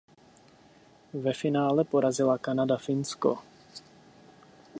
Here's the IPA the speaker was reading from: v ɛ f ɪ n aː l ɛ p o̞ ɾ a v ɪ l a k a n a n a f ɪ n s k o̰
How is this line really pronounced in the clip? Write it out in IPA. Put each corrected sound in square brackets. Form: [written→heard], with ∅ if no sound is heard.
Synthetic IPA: v ɛ f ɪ n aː l ɛ p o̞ ɾ a [v→z] ɪ l a k a n a [n→d] a f ɪ n s k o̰